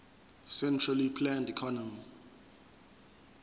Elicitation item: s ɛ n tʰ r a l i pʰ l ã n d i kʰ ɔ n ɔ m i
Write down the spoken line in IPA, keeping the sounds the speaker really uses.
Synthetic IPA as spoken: s ɛ n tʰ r a l i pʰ l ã n d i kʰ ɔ n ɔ m i